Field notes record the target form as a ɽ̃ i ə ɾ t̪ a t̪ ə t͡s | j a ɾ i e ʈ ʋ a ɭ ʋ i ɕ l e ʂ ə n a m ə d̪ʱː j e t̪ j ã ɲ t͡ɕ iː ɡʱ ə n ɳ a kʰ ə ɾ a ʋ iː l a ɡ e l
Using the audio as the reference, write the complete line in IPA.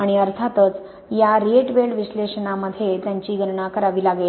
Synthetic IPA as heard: a ɽ̃ i ə ɾ t̪ʰ a t̪ ə t͡s | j a ɾ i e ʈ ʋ e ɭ ʋ i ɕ l e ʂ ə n a m ə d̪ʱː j e t̪ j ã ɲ t͡ɕ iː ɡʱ ə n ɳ a k ə ɾ a ʋ iː l a ɡ e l